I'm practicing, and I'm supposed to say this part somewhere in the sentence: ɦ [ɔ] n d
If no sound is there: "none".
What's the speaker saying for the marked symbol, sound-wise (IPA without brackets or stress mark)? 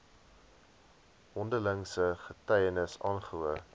ɔ